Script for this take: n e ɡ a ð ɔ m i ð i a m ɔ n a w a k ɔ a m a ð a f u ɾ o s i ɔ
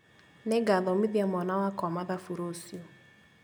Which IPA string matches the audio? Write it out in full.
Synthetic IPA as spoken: n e ɡ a ð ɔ m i ð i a m ɔ n a w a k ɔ a m a ð a f u ɾ o s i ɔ